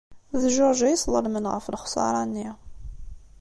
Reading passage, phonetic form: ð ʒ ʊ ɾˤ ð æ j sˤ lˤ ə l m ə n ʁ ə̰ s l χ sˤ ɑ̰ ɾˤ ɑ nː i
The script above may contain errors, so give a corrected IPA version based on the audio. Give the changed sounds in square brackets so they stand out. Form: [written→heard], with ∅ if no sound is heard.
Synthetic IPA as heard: ð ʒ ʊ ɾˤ [ð→ʒ] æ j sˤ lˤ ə l m ə n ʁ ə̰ [s→f] l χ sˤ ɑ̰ ɾˤ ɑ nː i